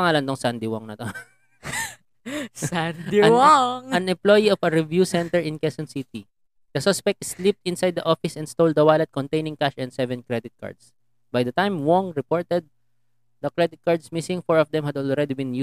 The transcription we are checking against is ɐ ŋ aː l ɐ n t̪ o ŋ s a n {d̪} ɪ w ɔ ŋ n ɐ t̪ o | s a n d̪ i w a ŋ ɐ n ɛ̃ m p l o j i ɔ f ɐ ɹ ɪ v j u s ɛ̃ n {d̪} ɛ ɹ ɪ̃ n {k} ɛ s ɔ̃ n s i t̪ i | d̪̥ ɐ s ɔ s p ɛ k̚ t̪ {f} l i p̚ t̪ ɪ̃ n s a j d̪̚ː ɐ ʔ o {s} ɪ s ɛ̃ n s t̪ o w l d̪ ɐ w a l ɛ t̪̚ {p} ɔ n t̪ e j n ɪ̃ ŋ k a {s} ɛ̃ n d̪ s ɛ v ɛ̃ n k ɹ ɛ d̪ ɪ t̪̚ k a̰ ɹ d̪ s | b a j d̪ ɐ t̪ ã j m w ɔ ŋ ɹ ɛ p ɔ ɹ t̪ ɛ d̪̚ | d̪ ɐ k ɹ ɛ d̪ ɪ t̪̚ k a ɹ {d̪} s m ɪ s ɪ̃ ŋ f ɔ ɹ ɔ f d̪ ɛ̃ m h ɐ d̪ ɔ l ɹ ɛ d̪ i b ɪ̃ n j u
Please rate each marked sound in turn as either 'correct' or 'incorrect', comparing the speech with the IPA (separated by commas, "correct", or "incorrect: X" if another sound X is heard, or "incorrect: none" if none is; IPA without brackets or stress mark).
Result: correct, incorrect: t̪, correct, incorrect: s, incorrect: f, incorrect: k, incorrect: ʃ, correct